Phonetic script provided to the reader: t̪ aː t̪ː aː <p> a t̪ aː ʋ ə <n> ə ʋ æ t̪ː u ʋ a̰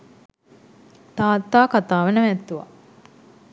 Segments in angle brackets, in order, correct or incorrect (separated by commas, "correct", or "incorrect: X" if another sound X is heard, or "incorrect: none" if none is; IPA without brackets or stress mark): incorrect: k, correct